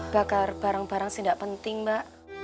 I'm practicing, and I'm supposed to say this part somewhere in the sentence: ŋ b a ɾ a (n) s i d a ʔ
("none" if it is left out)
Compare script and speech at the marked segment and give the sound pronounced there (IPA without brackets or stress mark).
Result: ŋ